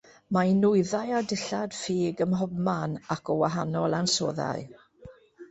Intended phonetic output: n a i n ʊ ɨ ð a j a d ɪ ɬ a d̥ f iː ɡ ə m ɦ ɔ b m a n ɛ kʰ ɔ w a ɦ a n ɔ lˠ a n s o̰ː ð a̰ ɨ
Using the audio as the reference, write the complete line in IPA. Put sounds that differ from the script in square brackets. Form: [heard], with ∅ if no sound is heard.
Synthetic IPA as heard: [m] a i n ʊ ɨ ð a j a d ɪ ɬ a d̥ f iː ɡ ə m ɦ ɔ b m a n [a] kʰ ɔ w a ɦ a n ɔ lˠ a n s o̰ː ð a̰ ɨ